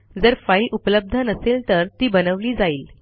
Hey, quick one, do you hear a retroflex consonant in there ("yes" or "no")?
no